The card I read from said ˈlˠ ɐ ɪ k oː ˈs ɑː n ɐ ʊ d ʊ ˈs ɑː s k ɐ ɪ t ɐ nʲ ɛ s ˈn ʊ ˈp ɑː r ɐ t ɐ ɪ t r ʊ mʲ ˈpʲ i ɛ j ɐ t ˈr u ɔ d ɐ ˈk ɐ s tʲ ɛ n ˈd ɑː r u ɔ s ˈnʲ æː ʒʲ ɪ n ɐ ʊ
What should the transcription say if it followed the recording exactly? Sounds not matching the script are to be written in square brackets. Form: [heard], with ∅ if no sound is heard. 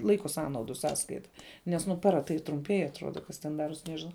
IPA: ˈlˠ ɐ ɪ k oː ˈs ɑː n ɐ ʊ d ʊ ˈs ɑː s k ɐ ɪ t ɐ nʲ ɛ s ˈn ʊ ˈp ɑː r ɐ t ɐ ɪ t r ʊ mʲ ˈpʲ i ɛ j ɐ t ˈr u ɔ d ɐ ˈk ɐ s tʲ ɛ n ˈd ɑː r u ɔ s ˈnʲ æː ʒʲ ɪ n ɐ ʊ